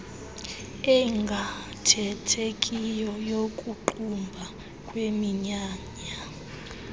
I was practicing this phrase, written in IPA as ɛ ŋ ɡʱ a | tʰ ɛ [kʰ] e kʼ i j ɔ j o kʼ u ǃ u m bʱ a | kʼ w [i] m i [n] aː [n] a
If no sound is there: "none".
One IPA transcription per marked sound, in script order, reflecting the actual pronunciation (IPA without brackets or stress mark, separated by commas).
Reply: tʰ, e, ɲ, ɲ